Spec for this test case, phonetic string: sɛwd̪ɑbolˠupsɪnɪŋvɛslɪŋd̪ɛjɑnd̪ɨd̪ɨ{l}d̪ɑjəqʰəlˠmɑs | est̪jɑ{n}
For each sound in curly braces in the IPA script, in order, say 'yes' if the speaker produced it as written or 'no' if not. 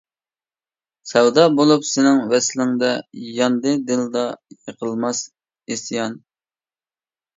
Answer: yes, yes

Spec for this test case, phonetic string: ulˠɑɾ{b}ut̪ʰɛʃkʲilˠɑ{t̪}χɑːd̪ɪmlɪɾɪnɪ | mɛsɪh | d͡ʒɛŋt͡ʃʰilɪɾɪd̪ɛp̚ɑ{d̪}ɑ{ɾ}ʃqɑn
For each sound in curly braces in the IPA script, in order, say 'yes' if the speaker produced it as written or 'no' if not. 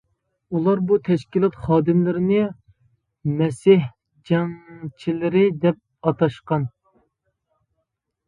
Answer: yes, yes, no, no

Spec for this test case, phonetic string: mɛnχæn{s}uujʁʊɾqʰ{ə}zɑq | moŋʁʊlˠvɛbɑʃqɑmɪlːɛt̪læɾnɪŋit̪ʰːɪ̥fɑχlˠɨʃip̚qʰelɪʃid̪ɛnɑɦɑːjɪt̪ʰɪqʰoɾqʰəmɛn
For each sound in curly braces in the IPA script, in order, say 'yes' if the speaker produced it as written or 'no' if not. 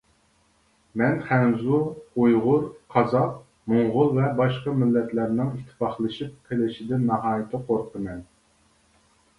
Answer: no, no

